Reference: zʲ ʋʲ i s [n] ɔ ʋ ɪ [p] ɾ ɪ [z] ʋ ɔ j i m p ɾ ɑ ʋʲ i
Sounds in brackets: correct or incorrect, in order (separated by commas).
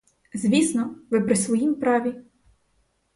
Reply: correct, correct, incorrect